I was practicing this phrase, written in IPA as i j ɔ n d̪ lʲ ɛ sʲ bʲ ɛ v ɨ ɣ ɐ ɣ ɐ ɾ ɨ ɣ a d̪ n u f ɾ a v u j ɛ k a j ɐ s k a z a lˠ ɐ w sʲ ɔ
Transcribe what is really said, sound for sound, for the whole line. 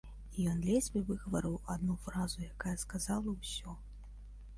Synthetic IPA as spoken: i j ɔ n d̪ lʲ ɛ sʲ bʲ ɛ v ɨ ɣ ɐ v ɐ ɾ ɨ w a d̪ n u f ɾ a z u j a k a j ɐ s k a z a lˠ ɐ w sʲ ɔ